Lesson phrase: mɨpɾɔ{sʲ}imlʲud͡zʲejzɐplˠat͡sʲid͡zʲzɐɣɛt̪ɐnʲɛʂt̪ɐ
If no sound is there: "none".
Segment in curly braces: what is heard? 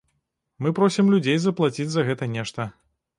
sʲ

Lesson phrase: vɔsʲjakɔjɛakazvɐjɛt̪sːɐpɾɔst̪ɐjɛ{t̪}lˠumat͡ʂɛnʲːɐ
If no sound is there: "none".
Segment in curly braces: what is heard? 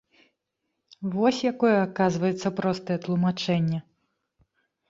t̪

